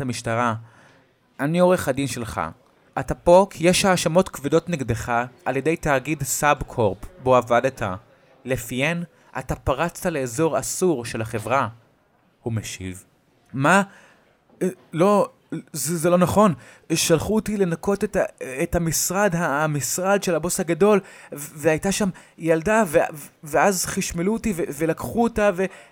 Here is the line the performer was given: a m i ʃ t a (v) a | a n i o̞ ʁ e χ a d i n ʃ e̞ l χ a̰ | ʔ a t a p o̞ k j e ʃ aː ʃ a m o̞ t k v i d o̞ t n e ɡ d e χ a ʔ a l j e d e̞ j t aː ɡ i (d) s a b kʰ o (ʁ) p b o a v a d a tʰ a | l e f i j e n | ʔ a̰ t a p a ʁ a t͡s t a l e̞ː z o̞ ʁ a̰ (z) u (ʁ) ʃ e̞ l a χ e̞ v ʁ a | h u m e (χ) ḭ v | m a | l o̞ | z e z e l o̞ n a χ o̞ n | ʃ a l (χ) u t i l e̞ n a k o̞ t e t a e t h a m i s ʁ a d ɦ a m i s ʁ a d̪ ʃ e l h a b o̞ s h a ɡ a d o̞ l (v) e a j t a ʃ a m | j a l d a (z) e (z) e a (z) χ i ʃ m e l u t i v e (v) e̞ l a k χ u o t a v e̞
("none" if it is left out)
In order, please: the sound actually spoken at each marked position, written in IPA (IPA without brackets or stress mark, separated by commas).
ʁ, d, ʁ, s, ʁ, ʃ, χ, v, v, v, z, v